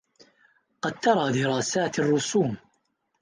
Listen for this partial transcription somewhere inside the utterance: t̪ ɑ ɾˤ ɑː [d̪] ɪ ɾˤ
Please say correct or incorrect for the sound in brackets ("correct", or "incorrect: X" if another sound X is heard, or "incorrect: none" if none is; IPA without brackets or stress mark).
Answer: correct